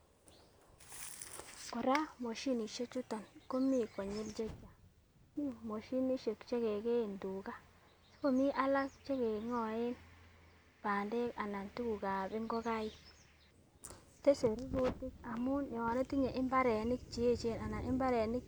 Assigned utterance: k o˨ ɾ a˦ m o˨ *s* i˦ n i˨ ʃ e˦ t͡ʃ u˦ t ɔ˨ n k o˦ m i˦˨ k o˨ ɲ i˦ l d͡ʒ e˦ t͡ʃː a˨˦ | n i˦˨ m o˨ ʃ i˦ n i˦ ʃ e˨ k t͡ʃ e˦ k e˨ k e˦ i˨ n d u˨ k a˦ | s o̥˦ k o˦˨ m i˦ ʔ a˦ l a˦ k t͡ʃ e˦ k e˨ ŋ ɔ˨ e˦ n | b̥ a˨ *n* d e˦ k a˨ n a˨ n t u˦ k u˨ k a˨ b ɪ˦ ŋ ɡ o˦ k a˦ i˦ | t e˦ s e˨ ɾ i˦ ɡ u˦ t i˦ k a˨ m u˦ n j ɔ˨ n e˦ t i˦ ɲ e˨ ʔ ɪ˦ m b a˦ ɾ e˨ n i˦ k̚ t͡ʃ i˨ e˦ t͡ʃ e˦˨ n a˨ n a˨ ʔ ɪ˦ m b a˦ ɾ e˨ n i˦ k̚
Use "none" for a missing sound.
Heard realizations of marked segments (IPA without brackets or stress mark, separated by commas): ʃ, n